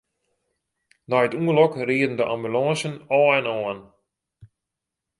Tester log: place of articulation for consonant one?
alveolar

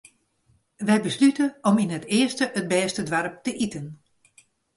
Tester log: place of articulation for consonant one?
labial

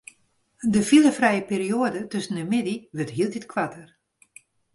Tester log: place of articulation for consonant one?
alveolar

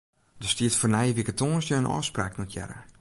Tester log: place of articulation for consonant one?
alveolar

